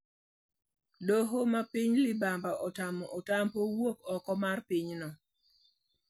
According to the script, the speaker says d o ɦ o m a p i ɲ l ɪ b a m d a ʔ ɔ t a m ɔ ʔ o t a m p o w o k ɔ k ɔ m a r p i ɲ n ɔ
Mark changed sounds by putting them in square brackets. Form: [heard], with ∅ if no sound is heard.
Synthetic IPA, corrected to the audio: d o ɦ o m a p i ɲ l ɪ b a m [b] a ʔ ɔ t a m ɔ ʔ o t a m p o w o k ɔ k ɔ m a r p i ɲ n ɔ